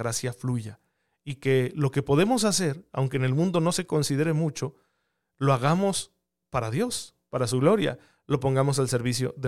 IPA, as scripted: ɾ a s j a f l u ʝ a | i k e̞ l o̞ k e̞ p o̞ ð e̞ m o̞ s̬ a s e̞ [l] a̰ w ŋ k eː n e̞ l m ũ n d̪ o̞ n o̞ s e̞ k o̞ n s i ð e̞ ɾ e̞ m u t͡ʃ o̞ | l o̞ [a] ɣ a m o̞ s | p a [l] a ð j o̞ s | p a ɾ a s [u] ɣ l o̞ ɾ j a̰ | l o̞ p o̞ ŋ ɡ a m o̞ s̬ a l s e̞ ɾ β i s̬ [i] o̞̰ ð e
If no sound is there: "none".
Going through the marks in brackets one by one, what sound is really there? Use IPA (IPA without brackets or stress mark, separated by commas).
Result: ɾ, a, ɾ, u, j